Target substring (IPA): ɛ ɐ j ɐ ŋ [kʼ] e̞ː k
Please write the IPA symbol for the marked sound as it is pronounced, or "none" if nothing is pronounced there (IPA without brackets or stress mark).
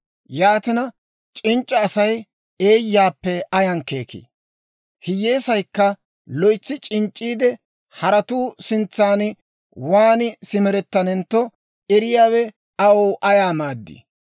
k